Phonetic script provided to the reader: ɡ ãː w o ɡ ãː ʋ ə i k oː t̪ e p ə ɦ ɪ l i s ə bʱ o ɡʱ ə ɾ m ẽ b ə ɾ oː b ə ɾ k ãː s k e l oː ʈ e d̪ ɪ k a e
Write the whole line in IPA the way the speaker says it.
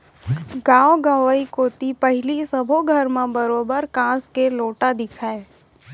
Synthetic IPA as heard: ɡ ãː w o ɡ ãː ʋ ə i k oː t̪ i p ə ɦ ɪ l i s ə bʱ o ɡʱ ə ɾ m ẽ b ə ɾ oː b ə ɾ k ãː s k e l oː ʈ a d̪ ɪ kʰ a e